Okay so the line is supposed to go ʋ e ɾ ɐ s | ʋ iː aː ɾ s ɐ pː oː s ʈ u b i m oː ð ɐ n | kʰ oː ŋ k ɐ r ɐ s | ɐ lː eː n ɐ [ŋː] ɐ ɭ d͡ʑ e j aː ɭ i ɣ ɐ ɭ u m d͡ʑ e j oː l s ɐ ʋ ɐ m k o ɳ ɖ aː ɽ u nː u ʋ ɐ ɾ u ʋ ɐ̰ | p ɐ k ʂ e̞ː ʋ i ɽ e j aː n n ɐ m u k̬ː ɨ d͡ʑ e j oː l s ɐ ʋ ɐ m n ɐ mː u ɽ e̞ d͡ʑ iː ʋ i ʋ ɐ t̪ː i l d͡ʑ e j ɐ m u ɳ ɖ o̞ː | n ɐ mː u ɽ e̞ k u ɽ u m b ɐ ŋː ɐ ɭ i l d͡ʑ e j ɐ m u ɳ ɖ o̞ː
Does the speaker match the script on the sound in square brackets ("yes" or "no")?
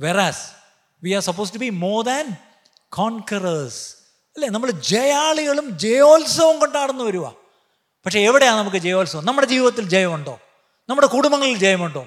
no